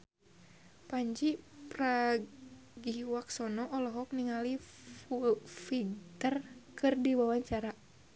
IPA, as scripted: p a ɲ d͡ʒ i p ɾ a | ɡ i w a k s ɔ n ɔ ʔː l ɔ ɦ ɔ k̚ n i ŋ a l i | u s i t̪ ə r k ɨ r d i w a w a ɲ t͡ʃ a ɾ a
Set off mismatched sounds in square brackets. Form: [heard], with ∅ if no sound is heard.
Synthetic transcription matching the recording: p a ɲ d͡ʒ i p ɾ a | ɡ i w a k s ɔ n ɔ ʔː l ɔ ɦ ɔ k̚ n i ŋ a l i | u [f] i t̪ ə r k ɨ r d i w a w a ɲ t͡ʃ a ɾ a